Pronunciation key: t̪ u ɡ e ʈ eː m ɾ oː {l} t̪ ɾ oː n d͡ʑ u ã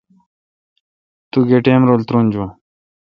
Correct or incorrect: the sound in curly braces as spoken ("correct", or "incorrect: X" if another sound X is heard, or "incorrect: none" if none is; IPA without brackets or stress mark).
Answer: correct